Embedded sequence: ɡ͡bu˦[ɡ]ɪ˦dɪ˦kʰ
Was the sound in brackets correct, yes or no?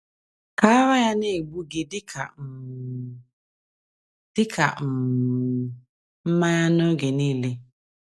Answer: yes